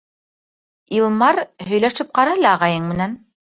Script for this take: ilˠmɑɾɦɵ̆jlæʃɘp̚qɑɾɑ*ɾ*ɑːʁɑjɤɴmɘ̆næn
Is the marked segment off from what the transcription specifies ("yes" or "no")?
yes